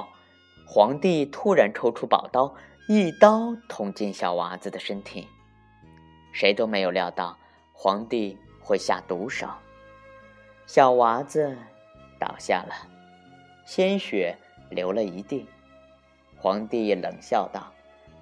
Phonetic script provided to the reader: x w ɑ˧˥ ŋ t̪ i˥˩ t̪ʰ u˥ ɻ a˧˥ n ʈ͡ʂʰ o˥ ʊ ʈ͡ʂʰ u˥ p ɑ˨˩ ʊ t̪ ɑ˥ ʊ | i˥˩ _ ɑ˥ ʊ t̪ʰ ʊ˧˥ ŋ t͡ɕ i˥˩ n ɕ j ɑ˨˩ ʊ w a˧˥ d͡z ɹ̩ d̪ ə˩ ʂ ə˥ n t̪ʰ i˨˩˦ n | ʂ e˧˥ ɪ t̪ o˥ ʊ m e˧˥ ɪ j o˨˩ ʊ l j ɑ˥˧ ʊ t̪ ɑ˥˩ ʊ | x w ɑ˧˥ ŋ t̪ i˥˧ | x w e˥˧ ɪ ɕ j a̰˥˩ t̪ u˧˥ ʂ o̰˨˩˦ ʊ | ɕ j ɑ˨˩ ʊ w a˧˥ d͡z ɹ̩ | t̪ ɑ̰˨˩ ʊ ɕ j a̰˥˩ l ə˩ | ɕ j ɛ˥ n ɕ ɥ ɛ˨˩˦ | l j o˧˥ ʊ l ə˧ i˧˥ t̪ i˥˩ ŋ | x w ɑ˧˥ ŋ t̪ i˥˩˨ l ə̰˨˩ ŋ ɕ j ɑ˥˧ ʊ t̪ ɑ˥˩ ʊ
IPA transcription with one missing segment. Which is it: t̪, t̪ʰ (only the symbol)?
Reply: t̪